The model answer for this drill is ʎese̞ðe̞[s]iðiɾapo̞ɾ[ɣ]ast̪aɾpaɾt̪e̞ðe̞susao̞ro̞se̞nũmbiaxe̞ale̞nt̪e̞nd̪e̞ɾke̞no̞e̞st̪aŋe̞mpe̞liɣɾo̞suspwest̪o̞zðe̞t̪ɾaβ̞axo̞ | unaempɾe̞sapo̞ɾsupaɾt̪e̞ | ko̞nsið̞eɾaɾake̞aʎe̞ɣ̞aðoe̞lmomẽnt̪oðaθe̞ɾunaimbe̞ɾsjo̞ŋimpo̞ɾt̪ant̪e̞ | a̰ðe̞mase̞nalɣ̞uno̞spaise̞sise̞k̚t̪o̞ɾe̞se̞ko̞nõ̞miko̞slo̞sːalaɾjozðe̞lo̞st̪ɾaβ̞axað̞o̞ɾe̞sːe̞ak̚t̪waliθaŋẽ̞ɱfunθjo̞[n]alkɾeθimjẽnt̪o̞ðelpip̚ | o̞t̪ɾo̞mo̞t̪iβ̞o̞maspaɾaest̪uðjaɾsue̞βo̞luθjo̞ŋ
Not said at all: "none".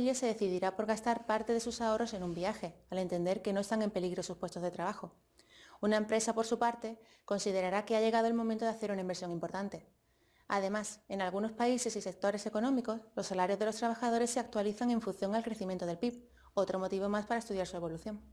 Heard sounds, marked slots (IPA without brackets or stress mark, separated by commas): θ, ɣ, ŋ